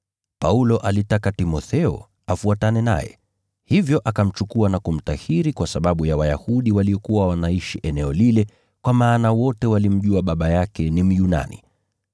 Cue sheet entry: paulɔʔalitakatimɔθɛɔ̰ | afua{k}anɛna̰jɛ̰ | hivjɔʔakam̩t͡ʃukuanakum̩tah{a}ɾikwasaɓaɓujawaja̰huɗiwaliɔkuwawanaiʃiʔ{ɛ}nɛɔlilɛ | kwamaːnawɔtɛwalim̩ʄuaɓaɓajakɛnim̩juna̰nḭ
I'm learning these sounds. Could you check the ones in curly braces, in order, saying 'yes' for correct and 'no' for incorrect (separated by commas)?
no, no, yes